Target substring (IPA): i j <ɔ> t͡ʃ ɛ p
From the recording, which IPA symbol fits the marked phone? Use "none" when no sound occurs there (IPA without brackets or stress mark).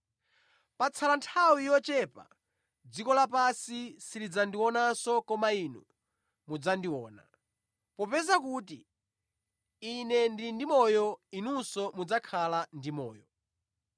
ɔ